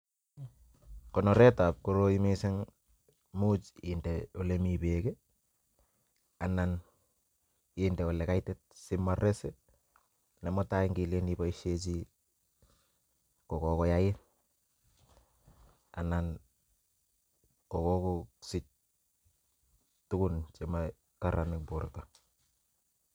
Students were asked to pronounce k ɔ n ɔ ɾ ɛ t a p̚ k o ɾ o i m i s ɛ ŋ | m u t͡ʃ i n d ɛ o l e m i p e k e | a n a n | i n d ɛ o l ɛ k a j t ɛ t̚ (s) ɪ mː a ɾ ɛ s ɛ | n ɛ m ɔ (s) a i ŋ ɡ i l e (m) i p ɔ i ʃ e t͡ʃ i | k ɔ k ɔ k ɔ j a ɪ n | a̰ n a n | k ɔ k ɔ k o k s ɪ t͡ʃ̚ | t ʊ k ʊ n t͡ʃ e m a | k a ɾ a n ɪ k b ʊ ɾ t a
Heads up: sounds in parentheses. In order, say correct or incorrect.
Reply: correct, incorrect: t, incorrect: n

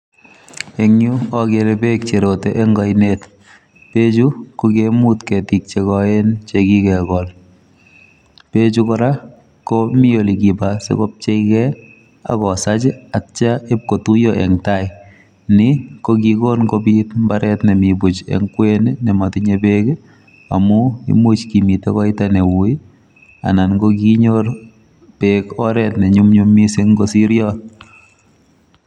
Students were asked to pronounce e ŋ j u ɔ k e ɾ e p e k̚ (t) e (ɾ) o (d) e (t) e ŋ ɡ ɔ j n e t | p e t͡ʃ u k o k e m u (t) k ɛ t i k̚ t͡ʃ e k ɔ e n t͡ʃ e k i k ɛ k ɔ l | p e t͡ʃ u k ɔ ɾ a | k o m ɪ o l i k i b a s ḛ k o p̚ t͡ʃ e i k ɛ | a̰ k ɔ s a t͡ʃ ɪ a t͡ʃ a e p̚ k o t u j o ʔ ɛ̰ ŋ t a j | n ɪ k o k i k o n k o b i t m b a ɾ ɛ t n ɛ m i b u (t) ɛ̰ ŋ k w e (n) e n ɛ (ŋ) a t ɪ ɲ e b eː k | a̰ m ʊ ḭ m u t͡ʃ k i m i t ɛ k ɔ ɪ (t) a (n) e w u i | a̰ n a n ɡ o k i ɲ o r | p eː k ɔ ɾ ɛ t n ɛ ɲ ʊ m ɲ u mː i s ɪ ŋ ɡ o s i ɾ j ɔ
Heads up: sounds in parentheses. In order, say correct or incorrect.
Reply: incorrect: t͡ʃ, correct, incorrect: t, incorrect: ʔ, correct, incorrect: t͡ʃ, correct, incorrect: m, correct, correct

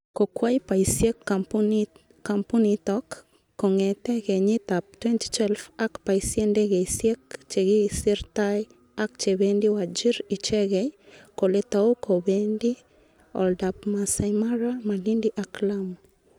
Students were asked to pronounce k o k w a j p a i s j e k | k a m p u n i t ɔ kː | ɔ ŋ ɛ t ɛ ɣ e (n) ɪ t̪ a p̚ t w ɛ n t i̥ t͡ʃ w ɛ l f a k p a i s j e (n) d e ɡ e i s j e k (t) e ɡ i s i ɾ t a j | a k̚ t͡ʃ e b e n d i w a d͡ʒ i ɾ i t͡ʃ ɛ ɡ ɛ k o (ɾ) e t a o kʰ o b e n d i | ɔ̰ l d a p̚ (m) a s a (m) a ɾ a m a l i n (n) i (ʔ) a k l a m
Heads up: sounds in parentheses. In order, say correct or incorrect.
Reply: incorrect: ɲ, correct, incorrect: t͡ʃ, incorrect: l, correct, correct, incorrect: d, correct

